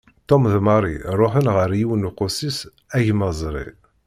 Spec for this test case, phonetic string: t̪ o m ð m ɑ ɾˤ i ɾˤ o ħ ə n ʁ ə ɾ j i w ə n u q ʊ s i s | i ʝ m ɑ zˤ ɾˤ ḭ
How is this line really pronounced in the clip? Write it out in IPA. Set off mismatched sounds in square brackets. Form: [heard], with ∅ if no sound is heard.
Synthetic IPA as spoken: t̪ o m ð m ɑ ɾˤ i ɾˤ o ħ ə n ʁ ə ɾ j i w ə n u q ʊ s i s | [æ] ʝ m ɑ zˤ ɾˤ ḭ